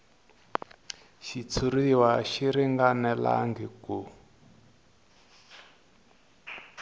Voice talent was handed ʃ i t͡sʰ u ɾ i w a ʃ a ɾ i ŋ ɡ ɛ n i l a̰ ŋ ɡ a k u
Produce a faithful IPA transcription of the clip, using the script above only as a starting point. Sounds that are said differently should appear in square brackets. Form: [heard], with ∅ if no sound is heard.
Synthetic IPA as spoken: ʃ i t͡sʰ u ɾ i w a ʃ [i] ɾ i ŋ ɡ [a] n [ɛ] l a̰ ŋ ɡ [i] k u